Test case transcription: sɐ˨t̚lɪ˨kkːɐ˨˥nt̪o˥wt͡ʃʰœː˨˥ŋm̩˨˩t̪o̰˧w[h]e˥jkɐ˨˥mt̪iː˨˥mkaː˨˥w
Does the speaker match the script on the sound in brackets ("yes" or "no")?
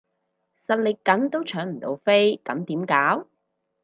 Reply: no